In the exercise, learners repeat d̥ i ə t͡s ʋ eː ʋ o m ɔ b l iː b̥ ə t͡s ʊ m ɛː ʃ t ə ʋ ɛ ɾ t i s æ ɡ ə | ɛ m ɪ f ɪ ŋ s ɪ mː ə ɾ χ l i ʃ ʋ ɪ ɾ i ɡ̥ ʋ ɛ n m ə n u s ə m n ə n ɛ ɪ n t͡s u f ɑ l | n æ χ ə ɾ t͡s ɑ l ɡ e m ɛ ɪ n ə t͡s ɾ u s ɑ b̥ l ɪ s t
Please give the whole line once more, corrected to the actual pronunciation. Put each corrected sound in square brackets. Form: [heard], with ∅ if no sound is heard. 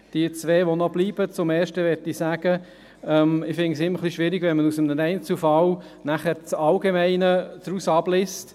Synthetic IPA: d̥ i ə t͡s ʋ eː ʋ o [n] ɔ b l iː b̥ ə t͡s ʊ m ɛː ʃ t ə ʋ ɛ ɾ t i s æ ɡ ə | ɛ m ɪ f ɪ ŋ s ɪ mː ə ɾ χ l i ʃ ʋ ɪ ɾ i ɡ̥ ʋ ɛ n m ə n u s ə m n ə n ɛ ɪ n t͡s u f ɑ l | n æ χ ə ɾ t͡s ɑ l ɡ e m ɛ ɪ n ə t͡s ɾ u s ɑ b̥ l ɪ s t